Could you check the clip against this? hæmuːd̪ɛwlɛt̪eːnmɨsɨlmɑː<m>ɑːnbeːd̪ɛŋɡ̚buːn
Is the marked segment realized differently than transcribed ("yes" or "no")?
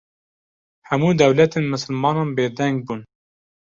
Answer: yes